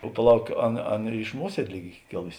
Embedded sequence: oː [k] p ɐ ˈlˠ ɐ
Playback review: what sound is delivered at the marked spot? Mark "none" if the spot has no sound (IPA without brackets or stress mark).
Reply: none